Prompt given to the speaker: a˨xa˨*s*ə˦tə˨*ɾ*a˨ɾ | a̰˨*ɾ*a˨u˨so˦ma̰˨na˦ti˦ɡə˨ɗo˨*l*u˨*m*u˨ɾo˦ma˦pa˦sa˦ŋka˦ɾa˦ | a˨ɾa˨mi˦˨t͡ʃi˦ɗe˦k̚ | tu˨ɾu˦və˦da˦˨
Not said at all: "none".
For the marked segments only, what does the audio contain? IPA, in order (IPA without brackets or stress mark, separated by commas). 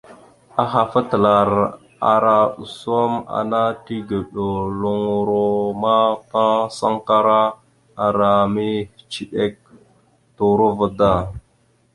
f, l, ɾ, l, ŋ